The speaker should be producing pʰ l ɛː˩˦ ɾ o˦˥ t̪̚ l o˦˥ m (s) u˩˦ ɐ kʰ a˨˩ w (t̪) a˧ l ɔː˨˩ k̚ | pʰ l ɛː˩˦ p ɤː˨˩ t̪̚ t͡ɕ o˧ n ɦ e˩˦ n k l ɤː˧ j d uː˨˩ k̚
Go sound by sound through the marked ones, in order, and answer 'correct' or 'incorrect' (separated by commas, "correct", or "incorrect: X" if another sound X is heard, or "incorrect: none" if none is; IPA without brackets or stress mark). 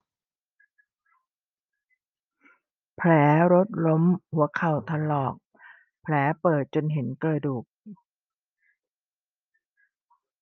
incorrect: h, incorrect: t̪ʰ